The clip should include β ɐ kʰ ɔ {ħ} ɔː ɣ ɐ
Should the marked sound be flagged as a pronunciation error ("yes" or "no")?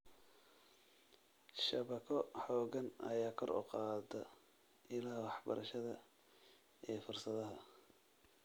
no